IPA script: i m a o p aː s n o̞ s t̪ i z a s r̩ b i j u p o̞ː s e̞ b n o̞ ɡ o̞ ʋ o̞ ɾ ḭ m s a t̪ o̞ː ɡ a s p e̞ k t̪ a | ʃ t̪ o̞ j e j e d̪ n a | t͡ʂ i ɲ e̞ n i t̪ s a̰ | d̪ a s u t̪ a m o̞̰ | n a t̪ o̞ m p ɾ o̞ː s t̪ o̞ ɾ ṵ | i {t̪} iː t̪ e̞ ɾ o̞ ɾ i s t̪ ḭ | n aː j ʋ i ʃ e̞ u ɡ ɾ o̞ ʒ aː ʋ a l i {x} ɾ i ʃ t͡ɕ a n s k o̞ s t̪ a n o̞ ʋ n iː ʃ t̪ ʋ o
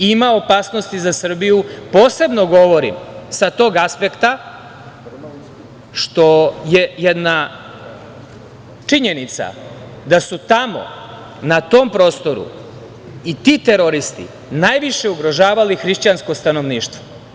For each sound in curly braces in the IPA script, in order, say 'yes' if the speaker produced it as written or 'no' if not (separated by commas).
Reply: yes, yes